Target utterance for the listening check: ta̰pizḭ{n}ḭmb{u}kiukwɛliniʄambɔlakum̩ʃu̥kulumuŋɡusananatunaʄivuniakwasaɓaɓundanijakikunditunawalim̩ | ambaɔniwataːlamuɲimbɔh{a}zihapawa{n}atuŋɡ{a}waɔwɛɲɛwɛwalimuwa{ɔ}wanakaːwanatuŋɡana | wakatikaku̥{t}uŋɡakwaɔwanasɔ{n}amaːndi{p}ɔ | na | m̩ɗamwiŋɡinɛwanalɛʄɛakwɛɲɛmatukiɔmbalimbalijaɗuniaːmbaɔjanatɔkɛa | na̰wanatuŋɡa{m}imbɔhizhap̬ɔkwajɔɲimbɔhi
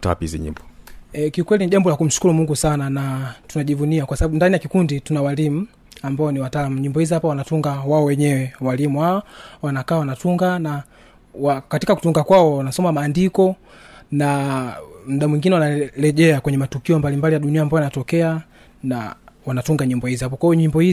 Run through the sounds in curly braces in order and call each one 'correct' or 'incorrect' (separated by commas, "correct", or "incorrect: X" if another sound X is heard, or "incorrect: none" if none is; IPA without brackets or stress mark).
incorrect: ɲ, incorrect: ɔ, incorrect: i, correct, correct, correct, correct, incorrect: m, incorrect: k, incorrect: ɲ